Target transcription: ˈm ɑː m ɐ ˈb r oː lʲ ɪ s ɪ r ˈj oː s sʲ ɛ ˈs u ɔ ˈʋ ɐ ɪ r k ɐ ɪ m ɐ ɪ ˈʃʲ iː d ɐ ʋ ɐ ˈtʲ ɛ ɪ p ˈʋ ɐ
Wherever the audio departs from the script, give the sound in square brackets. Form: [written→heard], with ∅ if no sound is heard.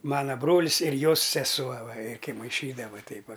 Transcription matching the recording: ˈm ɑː [m→n] ɐ ˈb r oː lʲ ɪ s ɪ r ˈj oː s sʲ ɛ ˈs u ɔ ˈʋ ɐ ɪ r k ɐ ɪ m ɐ ɪ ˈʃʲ iː d ɐ ʋ ɐ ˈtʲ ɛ ɪ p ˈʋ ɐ